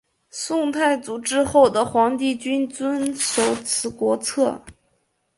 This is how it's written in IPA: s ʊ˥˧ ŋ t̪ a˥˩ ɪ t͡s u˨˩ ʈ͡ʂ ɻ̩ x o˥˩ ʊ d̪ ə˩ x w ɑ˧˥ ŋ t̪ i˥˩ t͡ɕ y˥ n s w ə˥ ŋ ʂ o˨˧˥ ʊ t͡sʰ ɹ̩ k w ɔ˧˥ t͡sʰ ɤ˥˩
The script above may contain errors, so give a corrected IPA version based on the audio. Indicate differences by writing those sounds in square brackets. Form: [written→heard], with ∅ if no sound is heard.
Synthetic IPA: s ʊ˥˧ ŋ [t̪→t̪ʰ] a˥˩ ɪ t͡s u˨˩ ʈ͡ʂ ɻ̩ x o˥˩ ʊ d̪ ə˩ x w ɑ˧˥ ŋ t̪ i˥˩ t͡ɕ y˥ n [s→t͡s] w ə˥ [ŋ→n] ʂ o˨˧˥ ʊ t͡sʰ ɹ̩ k w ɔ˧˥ t͡sʰ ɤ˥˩